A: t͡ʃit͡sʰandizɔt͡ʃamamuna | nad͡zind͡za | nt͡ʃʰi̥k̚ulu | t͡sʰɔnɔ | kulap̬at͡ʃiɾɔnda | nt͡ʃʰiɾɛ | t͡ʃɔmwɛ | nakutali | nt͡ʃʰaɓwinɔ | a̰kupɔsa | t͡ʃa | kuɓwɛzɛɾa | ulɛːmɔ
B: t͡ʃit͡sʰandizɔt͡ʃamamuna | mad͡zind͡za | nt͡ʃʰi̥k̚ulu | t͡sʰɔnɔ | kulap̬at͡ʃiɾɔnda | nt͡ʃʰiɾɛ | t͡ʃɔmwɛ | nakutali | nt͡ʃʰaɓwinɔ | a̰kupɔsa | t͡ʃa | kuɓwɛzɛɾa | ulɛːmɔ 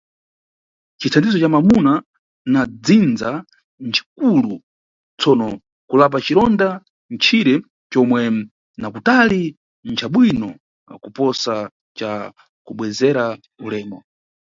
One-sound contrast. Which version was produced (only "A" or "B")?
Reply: A